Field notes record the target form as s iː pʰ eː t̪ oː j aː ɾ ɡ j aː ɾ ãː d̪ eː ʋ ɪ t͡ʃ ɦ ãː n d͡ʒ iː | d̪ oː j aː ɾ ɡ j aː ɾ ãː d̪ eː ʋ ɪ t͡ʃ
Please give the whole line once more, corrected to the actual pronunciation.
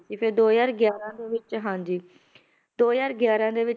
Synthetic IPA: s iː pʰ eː d̪ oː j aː ɾ ɡ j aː ɾ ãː d̪ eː ʋ ɪ t͡ʃ ɦ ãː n d͡ʒ iː | d̪ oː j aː ɾ ɡ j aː ɾ ãː d̪ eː ʋ ɪ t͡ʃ

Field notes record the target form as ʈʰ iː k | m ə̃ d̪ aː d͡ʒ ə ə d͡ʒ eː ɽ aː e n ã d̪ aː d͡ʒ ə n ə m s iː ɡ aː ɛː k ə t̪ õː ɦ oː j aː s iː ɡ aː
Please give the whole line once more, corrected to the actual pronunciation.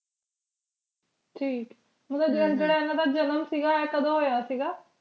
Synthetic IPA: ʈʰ iː k | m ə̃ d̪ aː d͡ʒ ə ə d͡ʒ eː ɽ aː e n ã d̪ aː d͡ʒ ə n ə m s iː ɡ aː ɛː k ə d̪ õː ɦ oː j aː s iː ɡ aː

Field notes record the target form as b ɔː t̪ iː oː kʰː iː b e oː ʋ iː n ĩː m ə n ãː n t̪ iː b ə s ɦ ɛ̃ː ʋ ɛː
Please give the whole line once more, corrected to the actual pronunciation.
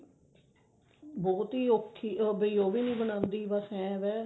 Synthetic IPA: b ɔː t̪ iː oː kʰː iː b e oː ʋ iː n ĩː b ə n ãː n d̪ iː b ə s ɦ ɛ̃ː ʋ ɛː

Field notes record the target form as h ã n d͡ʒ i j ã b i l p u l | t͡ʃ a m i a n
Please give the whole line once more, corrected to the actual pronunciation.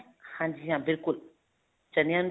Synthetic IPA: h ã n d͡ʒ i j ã b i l k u l | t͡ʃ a n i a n

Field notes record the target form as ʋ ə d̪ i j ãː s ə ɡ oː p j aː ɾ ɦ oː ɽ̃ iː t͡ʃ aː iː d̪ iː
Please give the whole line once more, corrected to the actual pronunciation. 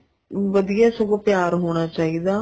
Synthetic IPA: ʋ ə d̪ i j aː s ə ɡ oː p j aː ɾ ɦ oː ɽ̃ aː t͡ʃ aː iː d̪ aː

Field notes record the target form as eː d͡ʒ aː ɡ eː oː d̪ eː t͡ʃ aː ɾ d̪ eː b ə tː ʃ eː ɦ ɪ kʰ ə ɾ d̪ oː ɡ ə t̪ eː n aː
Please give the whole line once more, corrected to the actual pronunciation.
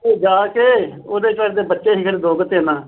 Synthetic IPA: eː d͡ʒ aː k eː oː d̪ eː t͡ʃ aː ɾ d̪ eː b ə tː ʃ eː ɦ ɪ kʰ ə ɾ d̪ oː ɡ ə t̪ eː n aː

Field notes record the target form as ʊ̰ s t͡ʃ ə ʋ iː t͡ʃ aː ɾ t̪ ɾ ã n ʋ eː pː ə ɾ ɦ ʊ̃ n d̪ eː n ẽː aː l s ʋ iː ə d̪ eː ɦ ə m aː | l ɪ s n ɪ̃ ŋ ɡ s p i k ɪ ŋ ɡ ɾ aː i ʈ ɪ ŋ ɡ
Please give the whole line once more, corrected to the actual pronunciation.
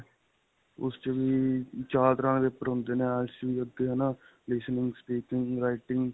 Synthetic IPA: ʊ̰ s t͡ʃ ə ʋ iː t͡ʃ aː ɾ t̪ ɾ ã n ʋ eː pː ə ɾ ɦ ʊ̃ n d̪ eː n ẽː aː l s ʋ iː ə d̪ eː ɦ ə n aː | l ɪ s n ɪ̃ ŋ ɡ s p iː k ɪ ŋ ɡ ɾ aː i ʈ ɪ ŋ ɡ

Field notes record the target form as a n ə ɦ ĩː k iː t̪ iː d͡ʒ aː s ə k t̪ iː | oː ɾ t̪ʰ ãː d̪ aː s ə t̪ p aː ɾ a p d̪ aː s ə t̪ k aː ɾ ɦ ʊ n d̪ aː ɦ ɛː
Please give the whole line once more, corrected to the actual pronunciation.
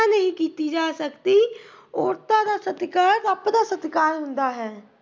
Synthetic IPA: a n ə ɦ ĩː k iː t̪ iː d͡ʒ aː s ə k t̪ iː | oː ɾ t̪ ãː d̪ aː s ə t̪ k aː ɾ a p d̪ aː s ə t̪ k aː ɾ ɦ ʊ n d̪ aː ɦ ɛː

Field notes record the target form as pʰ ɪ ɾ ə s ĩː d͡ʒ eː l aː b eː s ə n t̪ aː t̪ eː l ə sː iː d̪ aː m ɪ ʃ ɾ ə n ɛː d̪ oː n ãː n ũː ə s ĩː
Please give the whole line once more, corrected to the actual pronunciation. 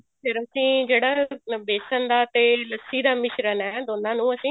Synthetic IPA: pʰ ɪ ɾ ə s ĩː d͡ʒ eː ɽ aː b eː s ə n d̪ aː t̪ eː l ə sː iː d̪ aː m ɪ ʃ ɾ ə n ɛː d̪ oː n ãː n ũː ə s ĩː

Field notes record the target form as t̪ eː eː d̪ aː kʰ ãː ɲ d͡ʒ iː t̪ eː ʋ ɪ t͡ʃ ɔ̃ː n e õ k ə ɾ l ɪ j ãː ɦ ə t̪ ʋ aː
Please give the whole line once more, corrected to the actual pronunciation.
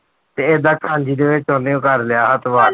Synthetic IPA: t̪ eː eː d̪ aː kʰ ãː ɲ d͡ʒ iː d̪ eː ʋ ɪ t͡ʃ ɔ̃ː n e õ k ə ɾ l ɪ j aː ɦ ə t̪ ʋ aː

